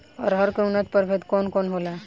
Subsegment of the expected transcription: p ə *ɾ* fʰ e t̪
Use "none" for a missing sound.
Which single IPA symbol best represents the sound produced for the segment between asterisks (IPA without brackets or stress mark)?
ɾ